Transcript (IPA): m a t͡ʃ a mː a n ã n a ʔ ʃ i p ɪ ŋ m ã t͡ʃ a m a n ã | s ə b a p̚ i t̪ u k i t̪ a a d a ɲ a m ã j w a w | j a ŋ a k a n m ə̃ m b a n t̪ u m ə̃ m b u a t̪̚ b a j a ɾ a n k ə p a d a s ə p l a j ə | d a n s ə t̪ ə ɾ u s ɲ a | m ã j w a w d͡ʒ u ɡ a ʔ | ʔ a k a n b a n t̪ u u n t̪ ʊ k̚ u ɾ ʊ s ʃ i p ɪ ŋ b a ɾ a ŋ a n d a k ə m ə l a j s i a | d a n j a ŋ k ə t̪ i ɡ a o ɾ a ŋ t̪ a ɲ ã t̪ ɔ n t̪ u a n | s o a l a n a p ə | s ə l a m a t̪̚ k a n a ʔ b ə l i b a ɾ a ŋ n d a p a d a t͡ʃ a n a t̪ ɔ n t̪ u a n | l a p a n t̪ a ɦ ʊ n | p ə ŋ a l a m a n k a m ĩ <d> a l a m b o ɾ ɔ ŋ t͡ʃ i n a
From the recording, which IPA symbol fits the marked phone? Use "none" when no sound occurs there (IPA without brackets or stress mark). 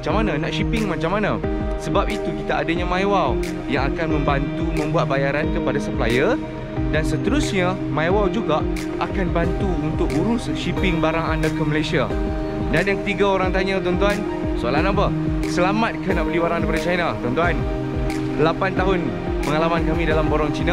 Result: d